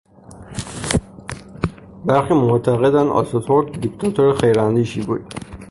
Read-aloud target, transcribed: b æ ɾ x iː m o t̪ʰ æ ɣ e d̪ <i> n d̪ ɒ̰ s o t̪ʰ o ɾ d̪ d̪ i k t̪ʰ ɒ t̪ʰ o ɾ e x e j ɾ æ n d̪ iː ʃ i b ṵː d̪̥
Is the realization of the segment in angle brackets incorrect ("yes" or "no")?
yes